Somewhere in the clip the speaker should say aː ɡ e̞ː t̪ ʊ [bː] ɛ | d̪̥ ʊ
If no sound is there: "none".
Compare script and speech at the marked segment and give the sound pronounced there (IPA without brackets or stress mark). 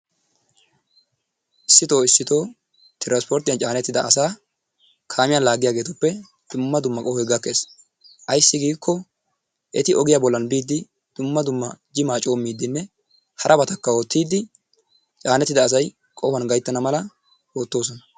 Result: pː